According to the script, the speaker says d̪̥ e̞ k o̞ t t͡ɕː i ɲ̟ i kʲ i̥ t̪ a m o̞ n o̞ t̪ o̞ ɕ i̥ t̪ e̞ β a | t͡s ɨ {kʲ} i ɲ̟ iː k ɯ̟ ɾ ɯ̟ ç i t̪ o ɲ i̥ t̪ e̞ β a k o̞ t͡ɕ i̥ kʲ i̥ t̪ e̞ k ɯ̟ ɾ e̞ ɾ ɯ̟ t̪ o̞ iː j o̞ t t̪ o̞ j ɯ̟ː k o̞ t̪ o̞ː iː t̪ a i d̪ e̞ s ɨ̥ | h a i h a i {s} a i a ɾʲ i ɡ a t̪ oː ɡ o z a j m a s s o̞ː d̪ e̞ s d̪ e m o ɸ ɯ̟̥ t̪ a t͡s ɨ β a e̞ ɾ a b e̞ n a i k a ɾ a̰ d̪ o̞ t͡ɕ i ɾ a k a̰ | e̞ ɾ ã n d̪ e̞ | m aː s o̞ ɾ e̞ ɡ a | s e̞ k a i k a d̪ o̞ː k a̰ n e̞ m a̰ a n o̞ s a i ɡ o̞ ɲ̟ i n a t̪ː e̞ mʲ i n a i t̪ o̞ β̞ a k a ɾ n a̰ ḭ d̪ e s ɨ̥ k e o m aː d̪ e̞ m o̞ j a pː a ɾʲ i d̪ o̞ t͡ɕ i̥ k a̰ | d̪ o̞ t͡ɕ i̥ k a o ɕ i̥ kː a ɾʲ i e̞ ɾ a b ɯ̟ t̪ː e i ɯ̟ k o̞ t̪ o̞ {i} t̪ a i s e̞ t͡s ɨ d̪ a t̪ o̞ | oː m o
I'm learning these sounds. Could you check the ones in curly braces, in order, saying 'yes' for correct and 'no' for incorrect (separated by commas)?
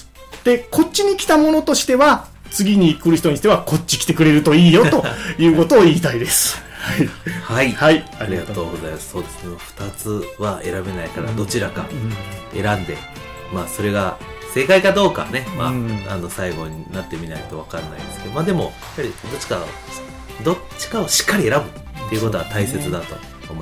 no, no, no